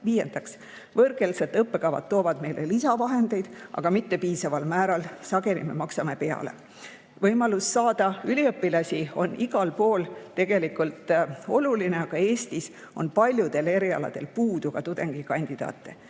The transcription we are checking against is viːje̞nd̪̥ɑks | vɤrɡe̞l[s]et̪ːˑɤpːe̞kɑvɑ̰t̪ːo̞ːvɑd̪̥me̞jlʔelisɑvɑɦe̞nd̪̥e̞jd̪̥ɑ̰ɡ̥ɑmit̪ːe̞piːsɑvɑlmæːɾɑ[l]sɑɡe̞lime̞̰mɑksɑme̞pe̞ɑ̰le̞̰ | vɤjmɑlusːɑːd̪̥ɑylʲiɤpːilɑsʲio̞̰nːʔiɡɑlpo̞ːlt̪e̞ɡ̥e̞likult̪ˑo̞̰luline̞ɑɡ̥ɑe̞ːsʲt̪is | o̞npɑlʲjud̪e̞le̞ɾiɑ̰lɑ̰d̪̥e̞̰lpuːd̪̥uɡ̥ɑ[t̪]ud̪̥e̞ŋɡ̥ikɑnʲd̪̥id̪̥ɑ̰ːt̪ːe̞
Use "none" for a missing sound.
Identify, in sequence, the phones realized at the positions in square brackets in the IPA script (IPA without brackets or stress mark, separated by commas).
s, l, t̪